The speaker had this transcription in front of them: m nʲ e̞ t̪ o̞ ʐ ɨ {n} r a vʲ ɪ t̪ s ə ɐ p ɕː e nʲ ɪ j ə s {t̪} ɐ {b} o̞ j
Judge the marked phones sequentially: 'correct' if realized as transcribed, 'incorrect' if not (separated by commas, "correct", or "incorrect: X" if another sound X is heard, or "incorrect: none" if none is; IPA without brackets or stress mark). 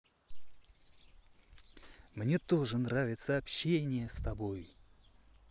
correct, correct, correct